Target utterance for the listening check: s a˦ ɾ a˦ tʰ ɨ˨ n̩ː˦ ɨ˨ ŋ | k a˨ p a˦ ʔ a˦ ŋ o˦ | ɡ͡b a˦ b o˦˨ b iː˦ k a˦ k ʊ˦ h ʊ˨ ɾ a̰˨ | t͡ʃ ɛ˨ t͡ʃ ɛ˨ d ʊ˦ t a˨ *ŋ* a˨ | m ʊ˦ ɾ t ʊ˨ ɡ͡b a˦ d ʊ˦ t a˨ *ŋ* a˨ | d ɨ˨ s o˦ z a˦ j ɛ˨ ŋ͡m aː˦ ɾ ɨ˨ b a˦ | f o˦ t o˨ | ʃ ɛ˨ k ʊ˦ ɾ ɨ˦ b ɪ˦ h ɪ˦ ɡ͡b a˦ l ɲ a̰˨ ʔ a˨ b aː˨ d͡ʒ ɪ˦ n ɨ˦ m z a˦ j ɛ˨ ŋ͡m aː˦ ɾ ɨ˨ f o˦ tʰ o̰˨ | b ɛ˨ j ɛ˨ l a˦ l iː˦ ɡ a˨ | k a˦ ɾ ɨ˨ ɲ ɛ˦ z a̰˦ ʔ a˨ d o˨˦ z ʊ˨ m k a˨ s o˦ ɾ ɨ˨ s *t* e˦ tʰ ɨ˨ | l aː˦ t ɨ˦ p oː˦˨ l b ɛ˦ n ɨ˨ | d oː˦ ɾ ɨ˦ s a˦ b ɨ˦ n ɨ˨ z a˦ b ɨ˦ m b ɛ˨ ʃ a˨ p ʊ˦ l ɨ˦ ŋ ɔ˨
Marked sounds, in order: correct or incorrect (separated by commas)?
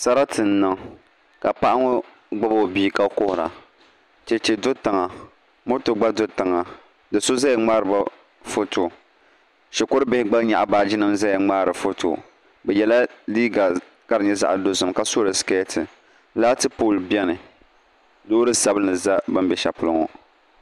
correct, correct, incorrect